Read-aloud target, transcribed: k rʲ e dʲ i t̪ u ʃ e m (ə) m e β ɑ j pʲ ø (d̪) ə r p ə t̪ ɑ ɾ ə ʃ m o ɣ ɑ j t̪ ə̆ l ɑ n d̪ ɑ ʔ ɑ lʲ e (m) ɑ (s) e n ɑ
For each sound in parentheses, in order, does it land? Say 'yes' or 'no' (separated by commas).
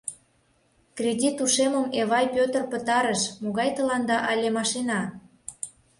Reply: yes, no, yes, no